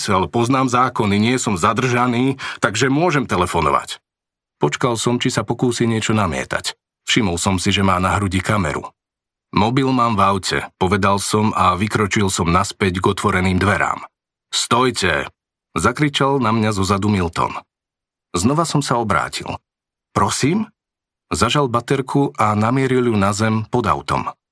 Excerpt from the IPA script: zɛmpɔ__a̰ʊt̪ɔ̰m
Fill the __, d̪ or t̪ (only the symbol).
d̪